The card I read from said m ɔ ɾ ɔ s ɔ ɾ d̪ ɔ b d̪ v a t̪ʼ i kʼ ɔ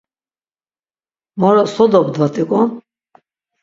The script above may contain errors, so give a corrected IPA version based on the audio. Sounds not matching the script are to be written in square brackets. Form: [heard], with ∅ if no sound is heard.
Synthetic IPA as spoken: m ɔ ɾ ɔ s ɔ [∅] d̪ ɔ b d̪ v a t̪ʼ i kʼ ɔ